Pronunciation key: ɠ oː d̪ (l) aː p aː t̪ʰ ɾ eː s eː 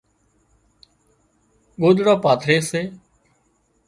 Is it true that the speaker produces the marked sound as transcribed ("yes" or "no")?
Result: no